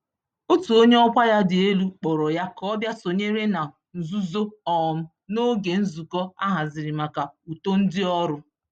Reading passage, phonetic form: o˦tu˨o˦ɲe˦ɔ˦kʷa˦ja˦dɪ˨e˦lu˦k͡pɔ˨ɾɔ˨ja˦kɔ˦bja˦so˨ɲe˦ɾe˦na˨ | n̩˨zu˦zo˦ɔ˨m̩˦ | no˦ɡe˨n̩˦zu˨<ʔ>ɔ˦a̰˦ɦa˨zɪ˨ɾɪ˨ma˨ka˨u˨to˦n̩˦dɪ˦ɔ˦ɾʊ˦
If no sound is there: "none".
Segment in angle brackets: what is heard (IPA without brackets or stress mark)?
k